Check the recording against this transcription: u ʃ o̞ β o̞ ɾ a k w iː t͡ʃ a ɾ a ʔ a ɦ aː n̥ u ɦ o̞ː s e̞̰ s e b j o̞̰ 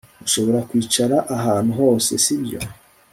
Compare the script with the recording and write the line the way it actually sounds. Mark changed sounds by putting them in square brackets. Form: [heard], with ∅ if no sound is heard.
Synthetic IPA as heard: u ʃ o̞ β o̞ ɾ a k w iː t͡ʃ a ɾ a ʔ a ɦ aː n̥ u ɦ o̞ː s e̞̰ s [i] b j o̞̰